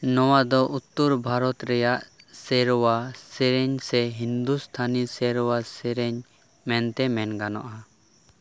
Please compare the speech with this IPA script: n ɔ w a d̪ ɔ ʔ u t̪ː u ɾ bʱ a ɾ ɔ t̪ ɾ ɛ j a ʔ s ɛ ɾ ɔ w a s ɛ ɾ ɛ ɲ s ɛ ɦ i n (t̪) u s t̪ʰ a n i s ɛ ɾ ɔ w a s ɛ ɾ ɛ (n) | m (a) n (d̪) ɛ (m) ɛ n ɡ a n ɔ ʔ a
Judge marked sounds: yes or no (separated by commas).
no, no, no, no, yes